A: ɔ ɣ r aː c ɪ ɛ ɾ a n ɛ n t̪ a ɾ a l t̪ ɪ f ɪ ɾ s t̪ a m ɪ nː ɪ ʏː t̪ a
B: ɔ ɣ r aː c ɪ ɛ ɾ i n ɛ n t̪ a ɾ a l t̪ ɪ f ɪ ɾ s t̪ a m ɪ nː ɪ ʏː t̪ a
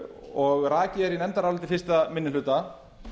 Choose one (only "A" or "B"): B